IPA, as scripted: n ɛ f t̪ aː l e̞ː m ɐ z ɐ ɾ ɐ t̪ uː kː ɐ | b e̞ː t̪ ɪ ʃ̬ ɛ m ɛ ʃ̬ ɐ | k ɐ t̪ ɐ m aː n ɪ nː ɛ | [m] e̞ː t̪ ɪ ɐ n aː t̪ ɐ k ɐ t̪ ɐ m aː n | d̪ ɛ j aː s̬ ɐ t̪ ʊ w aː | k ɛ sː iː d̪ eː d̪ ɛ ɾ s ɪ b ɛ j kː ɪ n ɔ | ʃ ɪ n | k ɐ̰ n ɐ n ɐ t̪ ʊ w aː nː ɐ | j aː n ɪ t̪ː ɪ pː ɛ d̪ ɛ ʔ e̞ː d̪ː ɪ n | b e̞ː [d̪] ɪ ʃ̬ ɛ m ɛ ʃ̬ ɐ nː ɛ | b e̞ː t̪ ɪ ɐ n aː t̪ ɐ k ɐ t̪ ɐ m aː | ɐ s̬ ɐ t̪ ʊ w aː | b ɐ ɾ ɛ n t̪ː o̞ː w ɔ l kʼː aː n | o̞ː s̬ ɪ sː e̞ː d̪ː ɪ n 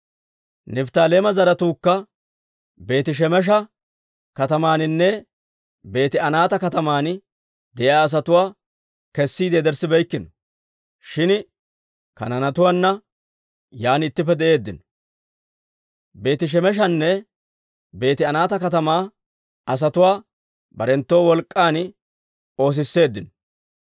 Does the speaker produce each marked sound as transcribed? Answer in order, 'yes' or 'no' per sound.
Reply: no, no

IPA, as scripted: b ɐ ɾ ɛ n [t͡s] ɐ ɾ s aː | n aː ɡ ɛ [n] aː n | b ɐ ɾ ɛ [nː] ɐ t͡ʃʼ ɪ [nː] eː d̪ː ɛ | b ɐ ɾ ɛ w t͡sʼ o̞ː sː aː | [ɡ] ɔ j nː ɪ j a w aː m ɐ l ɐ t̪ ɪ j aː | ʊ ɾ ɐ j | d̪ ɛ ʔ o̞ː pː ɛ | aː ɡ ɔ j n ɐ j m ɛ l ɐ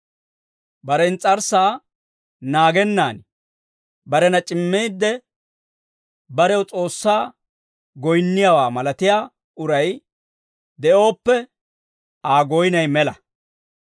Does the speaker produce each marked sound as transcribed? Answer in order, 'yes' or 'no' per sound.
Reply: no, no, no, no, yes

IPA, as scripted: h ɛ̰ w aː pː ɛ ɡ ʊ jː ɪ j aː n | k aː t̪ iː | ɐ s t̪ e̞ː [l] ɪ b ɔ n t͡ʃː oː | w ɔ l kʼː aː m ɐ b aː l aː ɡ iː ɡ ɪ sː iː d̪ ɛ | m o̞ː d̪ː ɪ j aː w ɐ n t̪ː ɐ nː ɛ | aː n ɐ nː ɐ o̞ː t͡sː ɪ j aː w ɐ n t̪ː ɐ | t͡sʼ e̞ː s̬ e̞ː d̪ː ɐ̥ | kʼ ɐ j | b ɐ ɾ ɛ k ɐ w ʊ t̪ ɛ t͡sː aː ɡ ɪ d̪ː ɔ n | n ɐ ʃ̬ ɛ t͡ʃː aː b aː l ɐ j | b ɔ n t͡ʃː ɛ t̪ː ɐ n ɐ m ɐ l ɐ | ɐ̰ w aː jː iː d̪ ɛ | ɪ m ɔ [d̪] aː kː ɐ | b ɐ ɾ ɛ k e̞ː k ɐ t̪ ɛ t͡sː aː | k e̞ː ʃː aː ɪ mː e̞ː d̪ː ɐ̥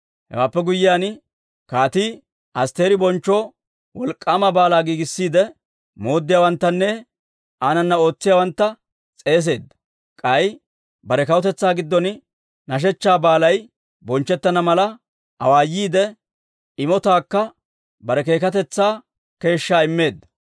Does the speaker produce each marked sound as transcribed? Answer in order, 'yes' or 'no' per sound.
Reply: no, no

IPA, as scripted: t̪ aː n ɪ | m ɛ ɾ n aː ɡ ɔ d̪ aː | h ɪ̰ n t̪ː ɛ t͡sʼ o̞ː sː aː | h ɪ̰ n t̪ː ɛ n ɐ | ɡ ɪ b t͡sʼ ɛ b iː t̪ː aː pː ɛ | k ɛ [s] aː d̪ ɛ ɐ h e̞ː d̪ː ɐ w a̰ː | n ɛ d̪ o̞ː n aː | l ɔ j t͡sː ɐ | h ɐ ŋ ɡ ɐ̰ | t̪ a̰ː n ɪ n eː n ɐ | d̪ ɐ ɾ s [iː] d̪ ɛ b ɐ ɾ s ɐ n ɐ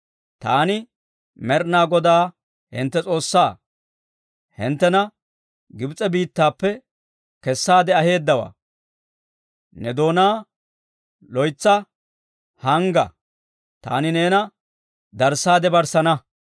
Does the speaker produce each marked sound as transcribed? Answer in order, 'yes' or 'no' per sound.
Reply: no, no

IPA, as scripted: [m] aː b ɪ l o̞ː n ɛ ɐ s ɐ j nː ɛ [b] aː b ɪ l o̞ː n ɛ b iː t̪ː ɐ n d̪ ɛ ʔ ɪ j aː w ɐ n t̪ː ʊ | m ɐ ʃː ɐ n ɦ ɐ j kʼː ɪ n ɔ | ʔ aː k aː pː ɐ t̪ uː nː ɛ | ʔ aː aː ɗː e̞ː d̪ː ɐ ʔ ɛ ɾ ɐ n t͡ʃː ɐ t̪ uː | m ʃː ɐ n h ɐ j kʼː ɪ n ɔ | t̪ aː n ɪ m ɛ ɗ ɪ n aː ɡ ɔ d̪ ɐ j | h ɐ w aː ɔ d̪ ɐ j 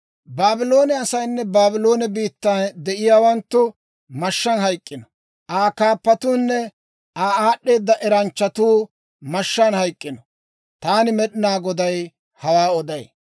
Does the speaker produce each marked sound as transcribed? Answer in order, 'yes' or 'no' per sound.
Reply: no, yes

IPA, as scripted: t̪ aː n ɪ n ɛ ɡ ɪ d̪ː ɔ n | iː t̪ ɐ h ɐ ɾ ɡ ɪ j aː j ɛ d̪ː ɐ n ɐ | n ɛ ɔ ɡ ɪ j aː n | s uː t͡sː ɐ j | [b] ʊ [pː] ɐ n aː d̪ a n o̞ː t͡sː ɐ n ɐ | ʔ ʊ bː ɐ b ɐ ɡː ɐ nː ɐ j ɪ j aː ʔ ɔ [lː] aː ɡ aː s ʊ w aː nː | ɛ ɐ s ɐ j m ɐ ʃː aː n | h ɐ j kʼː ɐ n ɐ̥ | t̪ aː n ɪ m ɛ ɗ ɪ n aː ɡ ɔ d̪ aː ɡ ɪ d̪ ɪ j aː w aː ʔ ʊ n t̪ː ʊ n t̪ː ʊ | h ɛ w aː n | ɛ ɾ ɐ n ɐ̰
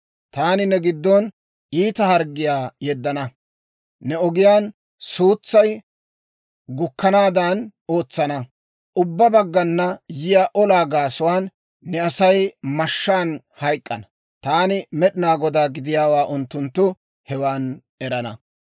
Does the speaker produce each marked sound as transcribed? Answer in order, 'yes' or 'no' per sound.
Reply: no, no, no

